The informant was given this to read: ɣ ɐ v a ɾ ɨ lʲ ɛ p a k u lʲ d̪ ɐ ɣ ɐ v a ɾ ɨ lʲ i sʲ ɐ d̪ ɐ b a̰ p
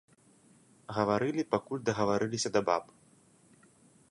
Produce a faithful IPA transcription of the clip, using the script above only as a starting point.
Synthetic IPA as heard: ɣ ɐ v a ɾ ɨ lʲ i p a k u lʲ d̪ ɐ ɣ ɐ v a ɾ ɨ lʲ i sʲ ɐ d̪ ɐ b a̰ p